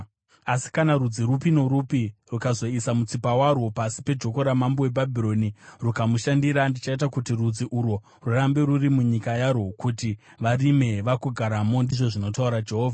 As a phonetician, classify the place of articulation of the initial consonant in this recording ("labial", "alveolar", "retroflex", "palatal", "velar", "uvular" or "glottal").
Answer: alveolar